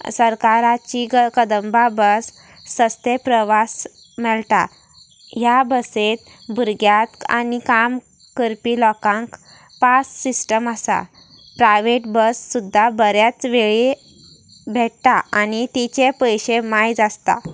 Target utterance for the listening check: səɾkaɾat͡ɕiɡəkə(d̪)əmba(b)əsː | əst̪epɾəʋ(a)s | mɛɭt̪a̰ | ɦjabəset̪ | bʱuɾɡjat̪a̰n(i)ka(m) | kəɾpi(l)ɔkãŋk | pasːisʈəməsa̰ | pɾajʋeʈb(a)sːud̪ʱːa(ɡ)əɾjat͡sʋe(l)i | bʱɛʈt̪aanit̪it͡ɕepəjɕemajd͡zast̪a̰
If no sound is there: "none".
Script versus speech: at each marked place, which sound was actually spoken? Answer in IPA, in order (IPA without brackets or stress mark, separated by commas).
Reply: d̪, b, a, i, m, l, ə, b, ɭ